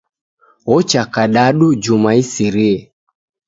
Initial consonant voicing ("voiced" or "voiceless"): voiceless